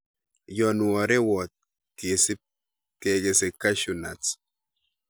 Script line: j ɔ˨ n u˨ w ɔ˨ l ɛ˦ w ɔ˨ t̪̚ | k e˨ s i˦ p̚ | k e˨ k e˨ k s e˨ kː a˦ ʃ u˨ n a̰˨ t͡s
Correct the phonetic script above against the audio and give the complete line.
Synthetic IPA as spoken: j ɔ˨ n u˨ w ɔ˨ ɾ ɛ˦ w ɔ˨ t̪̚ | k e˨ s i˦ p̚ | k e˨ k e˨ s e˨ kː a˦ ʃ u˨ n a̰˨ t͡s